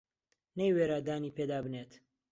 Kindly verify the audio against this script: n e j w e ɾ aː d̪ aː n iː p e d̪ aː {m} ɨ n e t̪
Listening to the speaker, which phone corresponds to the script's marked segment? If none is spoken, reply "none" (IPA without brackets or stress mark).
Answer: b